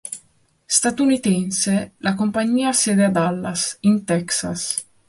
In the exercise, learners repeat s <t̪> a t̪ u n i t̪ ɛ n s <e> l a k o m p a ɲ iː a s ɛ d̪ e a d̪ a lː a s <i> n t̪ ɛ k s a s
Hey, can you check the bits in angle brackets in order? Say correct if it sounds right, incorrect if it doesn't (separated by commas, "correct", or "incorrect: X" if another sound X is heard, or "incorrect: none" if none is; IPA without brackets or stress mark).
correct, correct, correct